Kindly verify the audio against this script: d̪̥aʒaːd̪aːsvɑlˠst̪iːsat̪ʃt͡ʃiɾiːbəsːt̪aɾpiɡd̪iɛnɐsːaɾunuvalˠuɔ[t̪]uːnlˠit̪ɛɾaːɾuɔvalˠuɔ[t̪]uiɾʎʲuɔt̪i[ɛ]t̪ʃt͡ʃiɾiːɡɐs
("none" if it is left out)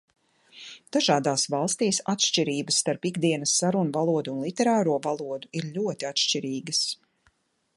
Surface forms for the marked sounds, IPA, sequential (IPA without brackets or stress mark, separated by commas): d̪, d̪, a